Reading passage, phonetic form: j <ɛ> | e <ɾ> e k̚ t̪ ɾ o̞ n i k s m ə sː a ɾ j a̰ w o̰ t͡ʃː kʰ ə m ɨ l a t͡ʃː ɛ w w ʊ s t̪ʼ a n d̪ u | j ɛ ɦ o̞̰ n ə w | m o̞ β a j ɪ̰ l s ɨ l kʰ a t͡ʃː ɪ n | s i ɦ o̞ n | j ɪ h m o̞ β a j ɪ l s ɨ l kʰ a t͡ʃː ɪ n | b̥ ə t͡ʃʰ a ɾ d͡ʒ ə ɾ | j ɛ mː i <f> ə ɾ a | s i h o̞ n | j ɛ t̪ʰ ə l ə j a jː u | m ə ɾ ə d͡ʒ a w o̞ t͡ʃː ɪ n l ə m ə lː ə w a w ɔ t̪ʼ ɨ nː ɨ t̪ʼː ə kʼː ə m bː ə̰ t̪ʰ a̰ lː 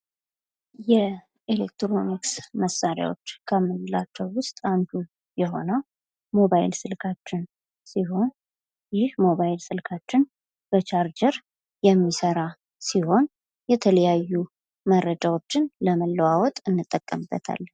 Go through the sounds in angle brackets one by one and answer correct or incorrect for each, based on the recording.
correct, incorrect, incorrect

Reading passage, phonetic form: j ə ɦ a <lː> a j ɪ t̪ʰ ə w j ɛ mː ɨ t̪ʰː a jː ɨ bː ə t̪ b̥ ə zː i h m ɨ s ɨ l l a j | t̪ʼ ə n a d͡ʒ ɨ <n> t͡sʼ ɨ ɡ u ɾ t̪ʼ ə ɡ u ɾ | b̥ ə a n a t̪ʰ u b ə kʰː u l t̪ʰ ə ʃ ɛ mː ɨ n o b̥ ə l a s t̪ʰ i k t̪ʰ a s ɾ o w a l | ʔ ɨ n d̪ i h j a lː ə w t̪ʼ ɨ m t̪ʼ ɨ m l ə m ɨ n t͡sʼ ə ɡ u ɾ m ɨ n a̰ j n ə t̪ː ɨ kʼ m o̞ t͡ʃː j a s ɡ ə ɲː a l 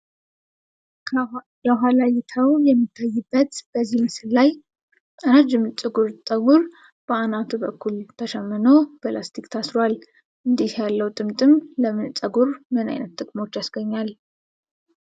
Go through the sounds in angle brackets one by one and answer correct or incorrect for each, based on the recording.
incorrect, incorrect

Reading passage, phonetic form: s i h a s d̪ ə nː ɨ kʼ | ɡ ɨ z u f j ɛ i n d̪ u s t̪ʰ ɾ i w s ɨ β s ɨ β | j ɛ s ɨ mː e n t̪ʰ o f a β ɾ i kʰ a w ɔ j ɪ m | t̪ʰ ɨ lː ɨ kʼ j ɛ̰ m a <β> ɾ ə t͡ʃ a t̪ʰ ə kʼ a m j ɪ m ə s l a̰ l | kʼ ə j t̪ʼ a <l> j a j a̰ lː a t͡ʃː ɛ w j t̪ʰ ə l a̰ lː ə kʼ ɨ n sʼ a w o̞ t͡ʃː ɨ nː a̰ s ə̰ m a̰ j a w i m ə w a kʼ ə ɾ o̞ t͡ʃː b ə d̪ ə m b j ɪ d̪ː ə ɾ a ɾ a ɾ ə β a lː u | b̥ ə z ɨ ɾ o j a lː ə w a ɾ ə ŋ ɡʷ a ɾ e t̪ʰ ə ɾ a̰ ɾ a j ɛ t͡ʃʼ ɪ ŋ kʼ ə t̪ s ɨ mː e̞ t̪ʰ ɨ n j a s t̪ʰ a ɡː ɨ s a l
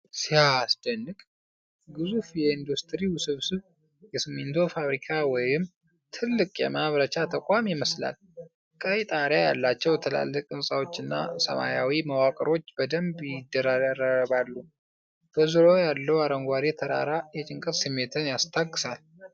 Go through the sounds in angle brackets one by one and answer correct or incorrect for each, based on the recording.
correct, incorrect

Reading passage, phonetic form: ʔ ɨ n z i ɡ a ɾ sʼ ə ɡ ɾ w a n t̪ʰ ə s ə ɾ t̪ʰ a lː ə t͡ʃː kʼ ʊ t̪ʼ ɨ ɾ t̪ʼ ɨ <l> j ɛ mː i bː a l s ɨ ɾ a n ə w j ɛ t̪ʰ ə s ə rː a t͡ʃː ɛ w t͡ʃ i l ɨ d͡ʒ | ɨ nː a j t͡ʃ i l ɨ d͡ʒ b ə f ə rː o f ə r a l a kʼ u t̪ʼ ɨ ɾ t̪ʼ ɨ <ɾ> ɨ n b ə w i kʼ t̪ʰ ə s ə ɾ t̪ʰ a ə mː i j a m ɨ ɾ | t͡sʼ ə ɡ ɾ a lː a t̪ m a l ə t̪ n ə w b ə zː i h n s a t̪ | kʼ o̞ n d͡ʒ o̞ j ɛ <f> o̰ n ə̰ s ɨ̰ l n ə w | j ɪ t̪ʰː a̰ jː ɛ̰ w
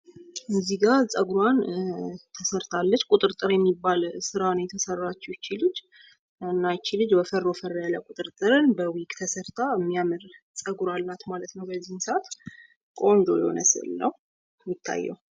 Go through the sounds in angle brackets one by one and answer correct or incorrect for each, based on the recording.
incorrect, correct, incorrect

